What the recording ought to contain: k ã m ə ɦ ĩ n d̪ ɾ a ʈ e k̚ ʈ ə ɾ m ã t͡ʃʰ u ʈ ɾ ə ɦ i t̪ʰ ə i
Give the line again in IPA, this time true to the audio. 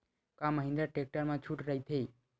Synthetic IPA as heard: k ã m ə ɦ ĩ n d̪ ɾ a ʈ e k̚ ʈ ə ɾ m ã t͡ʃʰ u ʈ ɾ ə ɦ i t̪ʰ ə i